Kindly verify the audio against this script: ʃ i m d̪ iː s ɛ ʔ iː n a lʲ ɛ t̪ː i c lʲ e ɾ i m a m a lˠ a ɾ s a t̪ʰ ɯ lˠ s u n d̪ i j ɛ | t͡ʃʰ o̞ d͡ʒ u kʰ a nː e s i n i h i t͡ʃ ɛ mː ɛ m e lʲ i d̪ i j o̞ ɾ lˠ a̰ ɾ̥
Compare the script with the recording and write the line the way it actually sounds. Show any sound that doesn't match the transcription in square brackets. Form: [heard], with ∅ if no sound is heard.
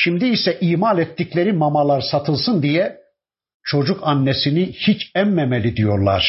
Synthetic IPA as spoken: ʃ i m d̪ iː s ɛ ʔ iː [m] a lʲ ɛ t̪ː i c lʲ e ɾ i m a m a lˠ a ɾ s a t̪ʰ ɯ lˠ s [ɯ] n d̪ i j ɛ | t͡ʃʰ o̞ d͡ʒ u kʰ a nː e s i n i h i t͡ʃ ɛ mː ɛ m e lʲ i d̪ i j o̞ ɾ lˠ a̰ ɾ̥